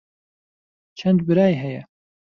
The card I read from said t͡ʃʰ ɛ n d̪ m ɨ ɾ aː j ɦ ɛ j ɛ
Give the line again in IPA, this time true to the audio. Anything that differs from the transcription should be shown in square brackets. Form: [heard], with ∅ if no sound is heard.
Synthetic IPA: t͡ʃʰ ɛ n d̪ [b] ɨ ɾ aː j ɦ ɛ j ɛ